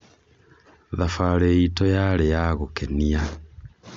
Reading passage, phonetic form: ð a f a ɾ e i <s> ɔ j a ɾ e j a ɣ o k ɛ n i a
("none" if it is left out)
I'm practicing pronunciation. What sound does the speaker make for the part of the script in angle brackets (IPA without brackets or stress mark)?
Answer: t